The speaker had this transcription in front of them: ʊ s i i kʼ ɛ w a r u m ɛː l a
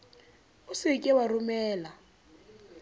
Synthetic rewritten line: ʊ s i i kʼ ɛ w a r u m ɛː l a